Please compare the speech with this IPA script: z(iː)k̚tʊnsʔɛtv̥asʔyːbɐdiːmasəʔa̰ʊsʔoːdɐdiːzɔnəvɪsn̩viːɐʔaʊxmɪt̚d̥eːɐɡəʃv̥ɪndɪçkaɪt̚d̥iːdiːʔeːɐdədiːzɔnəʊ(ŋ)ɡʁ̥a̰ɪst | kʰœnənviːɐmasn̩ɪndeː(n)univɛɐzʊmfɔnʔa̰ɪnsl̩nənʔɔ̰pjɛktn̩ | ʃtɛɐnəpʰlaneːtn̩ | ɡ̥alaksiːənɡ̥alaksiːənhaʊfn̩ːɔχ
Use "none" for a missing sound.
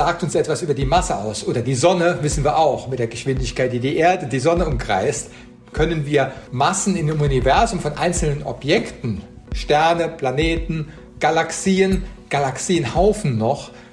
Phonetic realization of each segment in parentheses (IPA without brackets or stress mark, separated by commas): aː, m, m